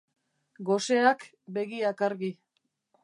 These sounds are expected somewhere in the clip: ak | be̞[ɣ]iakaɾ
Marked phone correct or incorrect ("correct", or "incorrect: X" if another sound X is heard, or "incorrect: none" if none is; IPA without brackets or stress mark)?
correct